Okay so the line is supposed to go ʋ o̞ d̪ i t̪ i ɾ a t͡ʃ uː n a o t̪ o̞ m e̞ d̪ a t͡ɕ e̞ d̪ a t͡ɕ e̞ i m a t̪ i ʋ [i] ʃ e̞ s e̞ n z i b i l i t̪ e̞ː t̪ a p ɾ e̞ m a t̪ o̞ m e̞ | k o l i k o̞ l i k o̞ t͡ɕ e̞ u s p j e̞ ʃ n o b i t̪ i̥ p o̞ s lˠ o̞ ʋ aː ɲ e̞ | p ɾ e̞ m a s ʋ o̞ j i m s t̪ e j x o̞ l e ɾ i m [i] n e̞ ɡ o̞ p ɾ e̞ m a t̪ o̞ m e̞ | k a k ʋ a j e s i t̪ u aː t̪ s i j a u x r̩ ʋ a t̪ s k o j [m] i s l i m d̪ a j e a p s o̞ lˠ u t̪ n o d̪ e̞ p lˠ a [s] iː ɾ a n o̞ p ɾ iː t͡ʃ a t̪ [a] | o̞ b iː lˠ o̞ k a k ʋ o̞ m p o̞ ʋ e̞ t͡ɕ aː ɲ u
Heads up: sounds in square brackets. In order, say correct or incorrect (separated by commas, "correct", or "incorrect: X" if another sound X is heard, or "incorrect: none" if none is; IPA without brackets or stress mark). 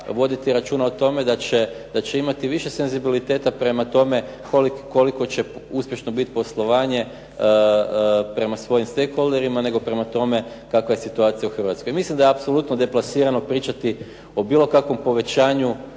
correct, incorrect: a, correct, correct, incorrect: i